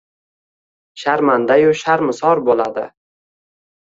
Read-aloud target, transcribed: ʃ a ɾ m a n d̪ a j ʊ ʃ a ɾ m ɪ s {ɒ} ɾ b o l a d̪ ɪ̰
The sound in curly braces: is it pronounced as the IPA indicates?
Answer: yes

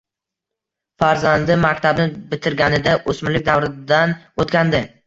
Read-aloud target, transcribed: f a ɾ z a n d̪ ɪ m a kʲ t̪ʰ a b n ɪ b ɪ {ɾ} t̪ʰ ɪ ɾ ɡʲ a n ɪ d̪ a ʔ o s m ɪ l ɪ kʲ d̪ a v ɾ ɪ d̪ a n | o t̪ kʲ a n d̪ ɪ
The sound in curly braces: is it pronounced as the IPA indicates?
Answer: no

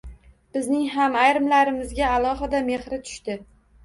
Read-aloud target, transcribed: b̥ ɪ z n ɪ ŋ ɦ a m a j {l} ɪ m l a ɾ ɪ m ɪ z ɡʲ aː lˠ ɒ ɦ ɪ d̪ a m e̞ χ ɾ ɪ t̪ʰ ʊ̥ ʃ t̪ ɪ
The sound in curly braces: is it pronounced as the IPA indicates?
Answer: no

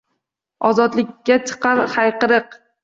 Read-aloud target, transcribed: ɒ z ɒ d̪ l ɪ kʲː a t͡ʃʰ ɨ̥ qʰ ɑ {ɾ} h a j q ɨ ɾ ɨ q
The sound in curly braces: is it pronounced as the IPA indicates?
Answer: yes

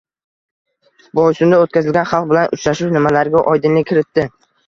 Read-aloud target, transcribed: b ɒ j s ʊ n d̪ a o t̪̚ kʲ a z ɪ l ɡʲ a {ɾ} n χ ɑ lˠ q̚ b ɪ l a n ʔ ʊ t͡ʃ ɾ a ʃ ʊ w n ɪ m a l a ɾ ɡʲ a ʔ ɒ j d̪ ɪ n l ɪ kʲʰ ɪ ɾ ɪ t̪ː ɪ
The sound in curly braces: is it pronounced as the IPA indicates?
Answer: no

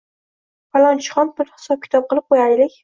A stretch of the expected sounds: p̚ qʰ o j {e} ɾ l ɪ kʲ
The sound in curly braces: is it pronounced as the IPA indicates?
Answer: no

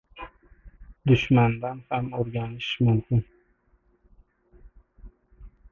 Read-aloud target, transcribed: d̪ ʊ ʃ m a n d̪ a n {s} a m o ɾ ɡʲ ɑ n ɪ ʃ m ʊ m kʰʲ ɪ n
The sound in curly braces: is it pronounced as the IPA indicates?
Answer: no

